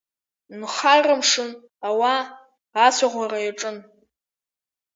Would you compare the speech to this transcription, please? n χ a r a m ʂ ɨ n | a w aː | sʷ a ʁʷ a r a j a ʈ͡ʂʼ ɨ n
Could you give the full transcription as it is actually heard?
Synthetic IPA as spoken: n χ a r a m ʂ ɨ n | a w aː | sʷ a ʁʷ a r a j a ʈ͡ʂʼ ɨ n